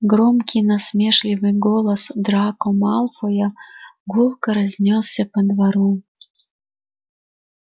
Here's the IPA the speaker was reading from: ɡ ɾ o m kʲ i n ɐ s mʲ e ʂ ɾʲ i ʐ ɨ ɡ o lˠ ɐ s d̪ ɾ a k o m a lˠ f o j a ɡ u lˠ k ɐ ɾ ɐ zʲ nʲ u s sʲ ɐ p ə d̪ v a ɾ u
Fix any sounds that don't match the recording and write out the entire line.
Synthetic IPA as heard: ɡ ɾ o m kʲ i n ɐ s mʲ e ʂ lʲ i v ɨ ɡ o lˠ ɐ s d̪ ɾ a k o m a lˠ f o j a ɡ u lˠ k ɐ ɾ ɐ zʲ nʲ o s sʲ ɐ p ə d̪ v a ɾ u